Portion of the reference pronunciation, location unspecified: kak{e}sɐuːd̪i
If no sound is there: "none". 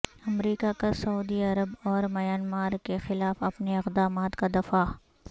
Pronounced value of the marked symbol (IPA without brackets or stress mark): a